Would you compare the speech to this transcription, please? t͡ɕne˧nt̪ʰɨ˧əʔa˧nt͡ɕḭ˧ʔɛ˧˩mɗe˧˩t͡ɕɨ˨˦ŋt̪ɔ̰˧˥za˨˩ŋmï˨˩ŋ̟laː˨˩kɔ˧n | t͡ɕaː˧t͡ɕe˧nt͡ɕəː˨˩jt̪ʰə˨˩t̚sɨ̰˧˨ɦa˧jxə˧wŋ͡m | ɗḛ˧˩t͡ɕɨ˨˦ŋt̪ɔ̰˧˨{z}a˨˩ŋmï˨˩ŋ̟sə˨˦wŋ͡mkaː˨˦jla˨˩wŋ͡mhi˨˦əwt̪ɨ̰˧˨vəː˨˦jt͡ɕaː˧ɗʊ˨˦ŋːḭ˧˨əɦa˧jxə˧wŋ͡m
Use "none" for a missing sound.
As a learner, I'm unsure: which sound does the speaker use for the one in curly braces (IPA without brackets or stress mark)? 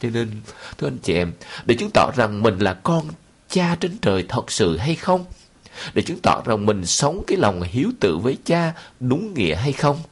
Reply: z